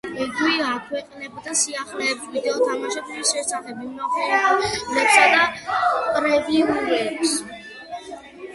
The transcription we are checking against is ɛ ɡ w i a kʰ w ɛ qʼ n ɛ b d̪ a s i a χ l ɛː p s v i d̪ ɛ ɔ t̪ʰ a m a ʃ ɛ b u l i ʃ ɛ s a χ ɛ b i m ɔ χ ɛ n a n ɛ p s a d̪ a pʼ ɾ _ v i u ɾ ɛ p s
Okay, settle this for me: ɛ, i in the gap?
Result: ɛ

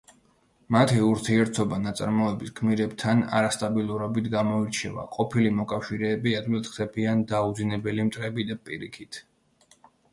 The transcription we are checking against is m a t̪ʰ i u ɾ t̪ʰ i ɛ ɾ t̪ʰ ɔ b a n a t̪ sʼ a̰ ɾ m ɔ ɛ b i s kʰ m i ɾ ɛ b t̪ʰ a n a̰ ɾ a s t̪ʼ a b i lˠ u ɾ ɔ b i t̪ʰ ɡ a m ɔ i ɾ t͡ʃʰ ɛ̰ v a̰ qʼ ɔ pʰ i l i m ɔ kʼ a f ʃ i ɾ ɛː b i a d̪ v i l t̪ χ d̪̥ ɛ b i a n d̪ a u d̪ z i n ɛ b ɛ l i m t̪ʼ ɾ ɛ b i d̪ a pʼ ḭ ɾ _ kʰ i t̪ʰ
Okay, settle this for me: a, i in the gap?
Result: i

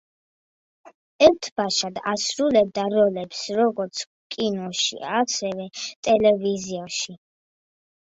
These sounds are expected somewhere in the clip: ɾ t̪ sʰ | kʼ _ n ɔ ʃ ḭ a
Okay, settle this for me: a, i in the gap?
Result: i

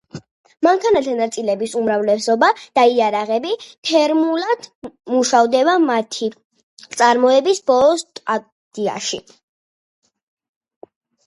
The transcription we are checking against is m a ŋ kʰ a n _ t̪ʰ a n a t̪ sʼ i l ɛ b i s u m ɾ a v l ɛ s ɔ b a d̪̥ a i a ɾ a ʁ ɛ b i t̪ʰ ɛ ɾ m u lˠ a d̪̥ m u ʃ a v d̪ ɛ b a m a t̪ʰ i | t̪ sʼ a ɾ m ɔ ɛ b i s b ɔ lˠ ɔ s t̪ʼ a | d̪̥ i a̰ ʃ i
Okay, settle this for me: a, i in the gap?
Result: a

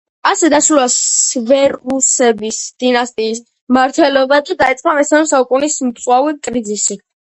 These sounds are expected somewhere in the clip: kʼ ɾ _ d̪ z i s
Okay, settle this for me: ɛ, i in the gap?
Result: i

